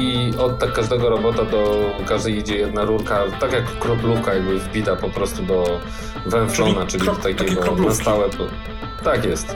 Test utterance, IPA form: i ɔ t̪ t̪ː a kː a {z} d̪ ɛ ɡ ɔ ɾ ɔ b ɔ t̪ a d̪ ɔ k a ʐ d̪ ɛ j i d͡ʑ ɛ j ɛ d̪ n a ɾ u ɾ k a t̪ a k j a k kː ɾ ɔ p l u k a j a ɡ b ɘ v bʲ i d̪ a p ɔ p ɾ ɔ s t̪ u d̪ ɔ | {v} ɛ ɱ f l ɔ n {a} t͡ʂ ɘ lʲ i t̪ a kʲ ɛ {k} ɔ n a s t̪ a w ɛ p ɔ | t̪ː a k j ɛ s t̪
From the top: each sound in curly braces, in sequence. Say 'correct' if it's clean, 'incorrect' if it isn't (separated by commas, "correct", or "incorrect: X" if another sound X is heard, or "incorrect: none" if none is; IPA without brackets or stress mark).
incorrect: ʐ, correct, correct, incorrect: ɡ